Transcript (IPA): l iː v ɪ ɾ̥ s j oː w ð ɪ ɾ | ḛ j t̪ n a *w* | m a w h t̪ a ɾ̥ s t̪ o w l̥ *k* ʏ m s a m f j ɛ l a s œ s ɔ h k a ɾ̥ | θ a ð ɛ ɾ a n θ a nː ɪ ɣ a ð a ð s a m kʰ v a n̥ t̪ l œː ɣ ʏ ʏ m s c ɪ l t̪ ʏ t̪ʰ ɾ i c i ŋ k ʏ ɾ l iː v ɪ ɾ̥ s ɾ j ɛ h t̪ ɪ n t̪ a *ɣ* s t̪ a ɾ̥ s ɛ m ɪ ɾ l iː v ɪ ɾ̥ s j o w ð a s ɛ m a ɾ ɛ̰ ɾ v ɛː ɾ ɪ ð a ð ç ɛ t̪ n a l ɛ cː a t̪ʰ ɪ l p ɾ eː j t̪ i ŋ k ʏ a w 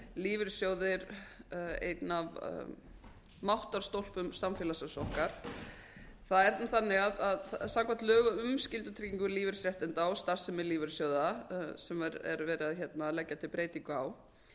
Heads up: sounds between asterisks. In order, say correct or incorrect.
incorrect: v, incorrect: p, incorrect: w

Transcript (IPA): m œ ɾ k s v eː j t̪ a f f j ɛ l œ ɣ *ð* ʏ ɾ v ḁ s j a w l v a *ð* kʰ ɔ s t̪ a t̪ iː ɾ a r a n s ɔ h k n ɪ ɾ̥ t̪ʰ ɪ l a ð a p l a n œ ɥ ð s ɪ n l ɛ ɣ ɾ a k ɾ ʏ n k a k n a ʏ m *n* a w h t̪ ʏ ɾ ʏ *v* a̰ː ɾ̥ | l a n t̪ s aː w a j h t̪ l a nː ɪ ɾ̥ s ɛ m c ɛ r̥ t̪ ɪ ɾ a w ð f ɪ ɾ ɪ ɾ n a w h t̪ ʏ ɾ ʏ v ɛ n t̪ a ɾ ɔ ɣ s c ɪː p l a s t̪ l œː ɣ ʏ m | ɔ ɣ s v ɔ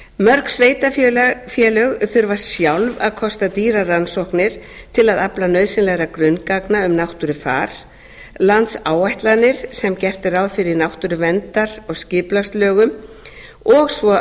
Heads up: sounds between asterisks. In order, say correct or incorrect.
incorrect: θ, correct, correct, incorrect: f

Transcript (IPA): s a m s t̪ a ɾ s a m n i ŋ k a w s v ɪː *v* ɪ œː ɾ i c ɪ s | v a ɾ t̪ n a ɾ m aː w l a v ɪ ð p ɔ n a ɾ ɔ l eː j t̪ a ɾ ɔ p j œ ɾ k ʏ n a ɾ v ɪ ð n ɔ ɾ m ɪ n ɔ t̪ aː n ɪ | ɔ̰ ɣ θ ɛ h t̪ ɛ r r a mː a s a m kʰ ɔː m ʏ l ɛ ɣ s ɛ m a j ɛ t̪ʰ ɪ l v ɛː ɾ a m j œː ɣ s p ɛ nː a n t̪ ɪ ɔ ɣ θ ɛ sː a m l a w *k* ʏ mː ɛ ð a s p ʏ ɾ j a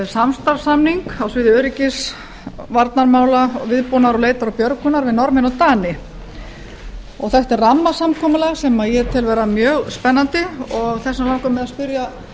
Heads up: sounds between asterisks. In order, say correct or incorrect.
incorrect: ð, correct

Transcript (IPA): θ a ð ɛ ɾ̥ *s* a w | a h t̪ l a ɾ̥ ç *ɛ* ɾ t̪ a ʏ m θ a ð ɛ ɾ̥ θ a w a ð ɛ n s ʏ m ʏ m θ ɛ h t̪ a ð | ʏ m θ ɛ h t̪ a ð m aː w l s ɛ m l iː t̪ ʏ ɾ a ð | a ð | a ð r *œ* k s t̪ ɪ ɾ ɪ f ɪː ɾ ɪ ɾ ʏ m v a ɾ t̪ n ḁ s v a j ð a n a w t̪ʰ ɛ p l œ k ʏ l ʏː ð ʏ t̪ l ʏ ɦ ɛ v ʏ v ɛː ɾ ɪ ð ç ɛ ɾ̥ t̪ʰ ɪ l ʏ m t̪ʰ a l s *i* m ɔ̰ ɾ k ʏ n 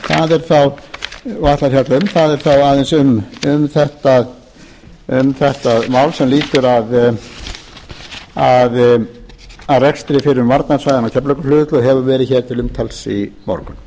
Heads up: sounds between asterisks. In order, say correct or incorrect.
incorrect: θ, incorrect: a, incorrect: ɛ, correct

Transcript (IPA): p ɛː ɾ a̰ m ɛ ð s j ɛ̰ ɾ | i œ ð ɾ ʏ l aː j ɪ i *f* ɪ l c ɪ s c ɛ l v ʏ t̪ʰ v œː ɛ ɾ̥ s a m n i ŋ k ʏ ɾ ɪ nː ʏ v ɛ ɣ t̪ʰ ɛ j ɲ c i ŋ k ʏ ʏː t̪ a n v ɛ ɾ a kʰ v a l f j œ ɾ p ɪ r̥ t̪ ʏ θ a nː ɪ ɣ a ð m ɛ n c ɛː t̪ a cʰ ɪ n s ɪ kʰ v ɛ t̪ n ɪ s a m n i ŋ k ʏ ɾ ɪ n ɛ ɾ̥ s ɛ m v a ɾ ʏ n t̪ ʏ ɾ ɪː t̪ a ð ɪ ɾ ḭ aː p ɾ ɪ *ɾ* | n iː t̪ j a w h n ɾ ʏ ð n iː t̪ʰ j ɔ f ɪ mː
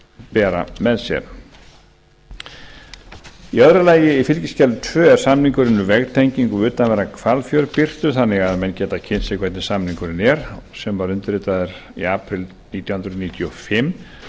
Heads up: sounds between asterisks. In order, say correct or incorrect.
correct, incorrect: l

